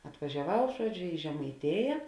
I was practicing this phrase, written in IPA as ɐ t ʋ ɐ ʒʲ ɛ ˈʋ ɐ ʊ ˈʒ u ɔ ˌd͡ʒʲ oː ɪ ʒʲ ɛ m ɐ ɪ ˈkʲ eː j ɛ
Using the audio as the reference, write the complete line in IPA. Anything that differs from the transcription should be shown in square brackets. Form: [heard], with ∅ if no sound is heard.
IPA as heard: ɐ t ʋ ɐ ʒʲ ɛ ˈʋ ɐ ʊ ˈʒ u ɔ ˌd͡ʒʲ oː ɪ ʒʲ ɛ m ɐ ɪ [ˈtʲ] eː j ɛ